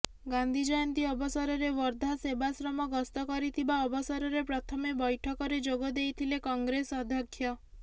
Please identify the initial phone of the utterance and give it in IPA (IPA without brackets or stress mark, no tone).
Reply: ɡ